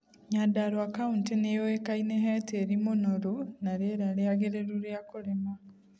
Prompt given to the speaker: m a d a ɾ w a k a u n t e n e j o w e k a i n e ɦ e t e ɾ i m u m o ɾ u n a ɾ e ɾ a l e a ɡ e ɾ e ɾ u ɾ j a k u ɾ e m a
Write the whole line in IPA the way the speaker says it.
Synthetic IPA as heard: ɲ a d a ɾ w a k a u n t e n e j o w e k a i n e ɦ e t e ɾ i m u n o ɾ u n a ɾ e ɾ a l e a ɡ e ɾ e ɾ u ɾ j a k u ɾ e m a